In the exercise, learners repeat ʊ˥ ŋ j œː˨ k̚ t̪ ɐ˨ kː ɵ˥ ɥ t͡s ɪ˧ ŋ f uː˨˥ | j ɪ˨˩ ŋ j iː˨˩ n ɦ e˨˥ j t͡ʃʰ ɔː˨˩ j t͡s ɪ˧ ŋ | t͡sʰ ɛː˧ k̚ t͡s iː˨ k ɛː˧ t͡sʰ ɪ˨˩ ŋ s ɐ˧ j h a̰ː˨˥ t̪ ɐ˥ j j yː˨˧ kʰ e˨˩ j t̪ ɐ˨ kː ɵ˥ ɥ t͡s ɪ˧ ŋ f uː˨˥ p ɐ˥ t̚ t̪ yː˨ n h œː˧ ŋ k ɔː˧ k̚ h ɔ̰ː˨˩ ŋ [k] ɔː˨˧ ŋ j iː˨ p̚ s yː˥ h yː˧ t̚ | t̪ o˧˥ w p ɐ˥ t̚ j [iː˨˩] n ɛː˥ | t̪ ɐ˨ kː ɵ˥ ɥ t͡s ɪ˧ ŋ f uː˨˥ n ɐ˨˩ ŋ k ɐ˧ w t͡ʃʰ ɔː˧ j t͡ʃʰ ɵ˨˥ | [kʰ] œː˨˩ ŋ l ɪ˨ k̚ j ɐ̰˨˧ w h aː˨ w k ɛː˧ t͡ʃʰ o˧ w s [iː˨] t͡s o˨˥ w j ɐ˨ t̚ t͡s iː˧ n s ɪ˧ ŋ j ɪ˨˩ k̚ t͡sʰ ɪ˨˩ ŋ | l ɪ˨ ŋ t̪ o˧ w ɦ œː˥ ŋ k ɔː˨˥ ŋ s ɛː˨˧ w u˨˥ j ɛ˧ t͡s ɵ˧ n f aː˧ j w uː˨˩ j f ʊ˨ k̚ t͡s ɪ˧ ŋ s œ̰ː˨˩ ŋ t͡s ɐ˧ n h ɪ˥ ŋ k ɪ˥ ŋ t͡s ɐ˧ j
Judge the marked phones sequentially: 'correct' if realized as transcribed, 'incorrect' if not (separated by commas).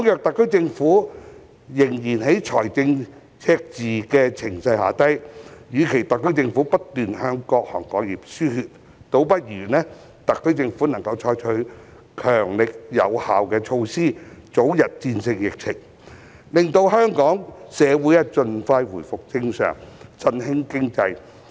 correct, incorrect, correct, incorrect